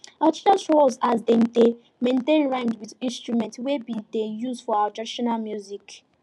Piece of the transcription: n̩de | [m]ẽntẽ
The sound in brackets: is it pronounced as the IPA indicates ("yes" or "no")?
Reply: yes